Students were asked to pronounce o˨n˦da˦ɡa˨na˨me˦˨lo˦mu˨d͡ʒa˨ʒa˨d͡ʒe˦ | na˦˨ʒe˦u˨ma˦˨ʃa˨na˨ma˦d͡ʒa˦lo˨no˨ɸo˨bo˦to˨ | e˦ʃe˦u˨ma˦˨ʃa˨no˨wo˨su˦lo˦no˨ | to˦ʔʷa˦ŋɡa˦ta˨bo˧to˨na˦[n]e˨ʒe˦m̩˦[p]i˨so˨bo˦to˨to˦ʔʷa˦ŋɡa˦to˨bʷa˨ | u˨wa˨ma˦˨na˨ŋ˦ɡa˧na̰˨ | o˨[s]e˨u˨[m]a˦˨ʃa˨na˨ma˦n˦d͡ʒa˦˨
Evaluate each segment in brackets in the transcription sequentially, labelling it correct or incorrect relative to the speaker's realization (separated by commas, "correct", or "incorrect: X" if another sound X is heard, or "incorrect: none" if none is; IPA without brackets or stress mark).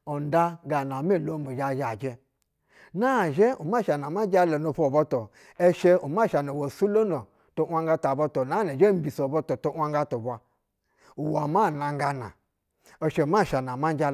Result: correct, incorrect: b, incorrect: ʃ, correct